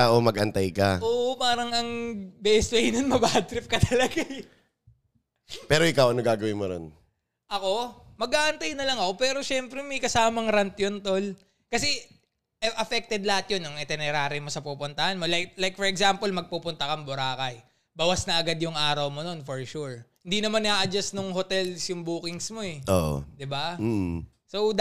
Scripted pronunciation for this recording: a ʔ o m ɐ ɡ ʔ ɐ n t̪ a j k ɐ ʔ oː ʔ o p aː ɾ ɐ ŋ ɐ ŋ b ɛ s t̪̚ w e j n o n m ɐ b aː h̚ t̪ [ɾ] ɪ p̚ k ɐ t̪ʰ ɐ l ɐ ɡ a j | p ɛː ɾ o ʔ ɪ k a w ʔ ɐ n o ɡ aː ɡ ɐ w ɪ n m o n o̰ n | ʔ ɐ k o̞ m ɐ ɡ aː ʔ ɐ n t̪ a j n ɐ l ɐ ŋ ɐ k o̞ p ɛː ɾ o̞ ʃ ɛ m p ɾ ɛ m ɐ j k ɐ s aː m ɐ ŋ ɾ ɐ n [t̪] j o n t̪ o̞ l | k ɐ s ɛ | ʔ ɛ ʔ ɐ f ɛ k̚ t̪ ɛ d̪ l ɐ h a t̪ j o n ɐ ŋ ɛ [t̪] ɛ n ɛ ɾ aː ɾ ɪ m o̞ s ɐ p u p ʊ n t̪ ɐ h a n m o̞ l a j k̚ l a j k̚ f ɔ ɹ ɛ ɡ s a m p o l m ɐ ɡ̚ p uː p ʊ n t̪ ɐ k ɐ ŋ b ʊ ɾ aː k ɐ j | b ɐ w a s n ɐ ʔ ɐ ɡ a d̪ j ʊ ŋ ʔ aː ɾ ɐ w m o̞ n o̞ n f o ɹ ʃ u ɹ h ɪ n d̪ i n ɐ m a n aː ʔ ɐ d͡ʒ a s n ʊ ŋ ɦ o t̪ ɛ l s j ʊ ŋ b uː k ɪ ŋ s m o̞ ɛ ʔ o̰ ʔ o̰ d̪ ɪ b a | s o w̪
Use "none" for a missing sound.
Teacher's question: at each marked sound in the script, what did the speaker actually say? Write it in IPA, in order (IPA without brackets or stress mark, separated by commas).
ɾ, t̪, t̪